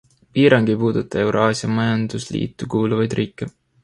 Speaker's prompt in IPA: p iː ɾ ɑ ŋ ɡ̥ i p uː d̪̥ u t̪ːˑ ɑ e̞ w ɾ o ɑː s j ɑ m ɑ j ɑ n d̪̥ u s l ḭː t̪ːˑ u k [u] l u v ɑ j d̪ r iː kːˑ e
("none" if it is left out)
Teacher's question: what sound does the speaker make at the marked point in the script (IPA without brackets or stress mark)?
uː